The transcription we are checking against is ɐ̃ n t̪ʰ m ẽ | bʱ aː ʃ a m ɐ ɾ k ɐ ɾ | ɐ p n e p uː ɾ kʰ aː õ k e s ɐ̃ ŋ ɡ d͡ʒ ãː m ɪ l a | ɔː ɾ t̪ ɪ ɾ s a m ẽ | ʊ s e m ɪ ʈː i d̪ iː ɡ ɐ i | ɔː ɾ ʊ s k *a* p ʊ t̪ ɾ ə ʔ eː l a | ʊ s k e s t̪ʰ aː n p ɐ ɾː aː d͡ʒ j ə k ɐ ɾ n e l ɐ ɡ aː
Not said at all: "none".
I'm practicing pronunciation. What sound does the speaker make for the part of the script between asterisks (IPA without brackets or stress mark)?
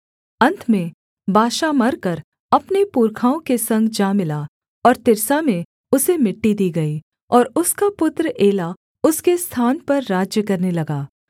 a